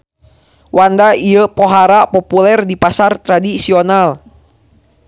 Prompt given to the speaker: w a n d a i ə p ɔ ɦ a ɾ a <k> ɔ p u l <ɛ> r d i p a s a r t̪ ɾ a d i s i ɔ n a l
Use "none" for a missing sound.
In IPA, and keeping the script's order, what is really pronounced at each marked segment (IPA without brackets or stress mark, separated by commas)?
p, ɛ